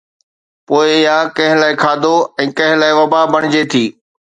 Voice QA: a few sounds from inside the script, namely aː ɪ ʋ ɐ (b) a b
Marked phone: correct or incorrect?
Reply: correct